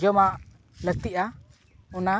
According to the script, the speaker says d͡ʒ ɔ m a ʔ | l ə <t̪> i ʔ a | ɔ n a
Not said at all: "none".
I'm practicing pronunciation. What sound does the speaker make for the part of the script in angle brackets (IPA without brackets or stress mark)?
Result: t̪